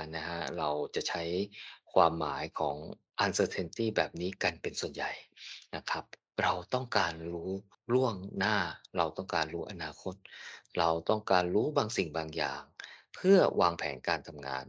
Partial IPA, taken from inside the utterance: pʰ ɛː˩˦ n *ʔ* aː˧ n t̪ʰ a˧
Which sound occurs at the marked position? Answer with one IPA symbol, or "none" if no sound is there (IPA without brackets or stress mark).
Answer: k